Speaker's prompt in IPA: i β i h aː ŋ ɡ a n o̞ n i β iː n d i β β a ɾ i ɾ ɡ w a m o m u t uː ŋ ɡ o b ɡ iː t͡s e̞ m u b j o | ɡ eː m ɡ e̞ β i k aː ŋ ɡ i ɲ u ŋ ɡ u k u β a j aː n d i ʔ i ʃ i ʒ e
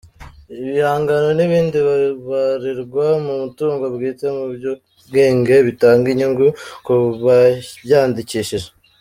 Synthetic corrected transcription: i β i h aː ŋ ɡ a n o̞ n i β iː n d i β β a ɾ i ɾ ɡ w a m u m u t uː ŋ ɡ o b ɡ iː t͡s e̞ m u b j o | ɡ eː ŋ ɡ e̞ β i t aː ŋ ɡ i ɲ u ŋ ɡ u k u β a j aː n d i c i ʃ i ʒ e